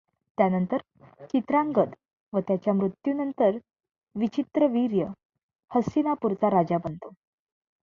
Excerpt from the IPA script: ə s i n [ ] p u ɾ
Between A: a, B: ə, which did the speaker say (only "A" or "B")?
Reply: A